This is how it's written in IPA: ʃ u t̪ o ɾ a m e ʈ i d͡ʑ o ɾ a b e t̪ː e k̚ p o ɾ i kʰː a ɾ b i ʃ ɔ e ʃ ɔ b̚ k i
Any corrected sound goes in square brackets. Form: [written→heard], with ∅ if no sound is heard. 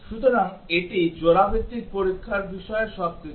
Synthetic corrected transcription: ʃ u t̪ o ɾ a [m→ŋ] e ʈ i d͡ʑ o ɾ a b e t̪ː [e→i] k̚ p o ɾ i kʰː a ɾ b i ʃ ɔ e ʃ ɔ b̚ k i